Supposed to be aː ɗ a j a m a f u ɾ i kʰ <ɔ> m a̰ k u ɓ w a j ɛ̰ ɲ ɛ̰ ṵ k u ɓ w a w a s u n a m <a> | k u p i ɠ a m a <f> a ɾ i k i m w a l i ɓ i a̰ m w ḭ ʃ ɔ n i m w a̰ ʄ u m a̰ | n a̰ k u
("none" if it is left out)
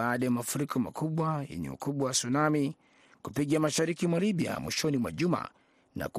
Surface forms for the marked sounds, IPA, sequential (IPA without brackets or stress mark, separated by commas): ɔ, i, ʃ